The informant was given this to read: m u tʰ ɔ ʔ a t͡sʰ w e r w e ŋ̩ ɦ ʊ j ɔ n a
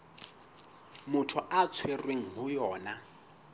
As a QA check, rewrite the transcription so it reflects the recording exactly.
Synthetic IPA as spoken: m ʊ tʰ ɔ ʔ a t͡sʰ w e r w e ŋ̩ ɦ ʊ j ɔː n a